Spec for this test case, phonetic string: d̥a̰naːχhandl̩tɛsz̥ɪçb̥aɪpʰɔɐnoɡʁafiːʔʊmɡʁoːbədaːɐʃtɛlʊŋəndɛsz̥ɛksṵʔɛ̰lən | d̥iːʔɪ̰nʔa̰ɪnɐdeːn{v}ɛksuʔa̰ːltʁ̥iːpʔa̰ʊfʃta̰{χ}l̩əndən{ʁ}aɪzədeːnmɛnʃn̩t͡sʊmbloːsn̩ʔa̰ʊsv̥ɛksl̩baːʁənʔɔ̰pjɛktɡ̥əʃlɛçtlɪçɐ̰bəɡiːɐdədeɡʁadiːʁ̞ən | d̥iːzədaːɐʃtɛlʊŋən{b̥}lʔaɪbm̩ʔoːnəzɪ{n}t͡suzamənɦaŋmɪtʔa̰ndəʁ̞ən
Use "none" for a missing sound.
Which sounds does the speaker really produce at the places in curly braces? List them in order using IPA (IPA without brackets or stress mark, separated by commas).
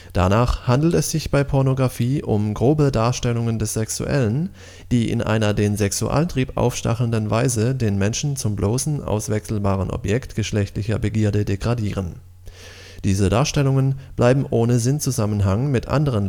z, χ, v, b̥, n